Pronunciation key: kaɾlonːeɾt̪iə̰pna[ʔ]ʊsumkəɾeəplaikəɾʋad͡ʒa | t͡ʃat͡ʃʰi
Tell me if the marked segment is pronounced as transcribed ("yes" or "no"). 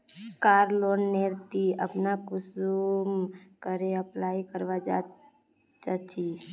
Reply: no